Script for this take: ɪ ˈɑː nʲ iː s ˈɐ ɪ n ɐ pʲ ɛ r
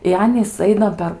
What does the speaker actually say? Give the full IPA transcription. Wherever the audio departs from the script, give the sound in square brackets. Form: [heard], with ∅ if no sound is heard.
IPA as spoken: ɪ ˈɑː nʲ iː s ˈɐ ɪ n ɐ pʲ ɛ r